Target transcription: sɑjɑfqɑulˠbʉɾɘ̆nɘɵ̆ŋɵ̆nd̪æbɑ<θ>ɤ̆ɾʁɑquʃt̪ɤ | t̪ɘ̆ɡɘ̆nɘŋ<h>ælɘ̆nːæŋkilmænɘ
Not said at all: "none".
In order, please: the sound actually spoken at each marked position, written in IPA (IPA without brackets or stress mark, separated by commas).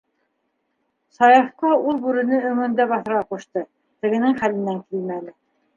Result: θ, χ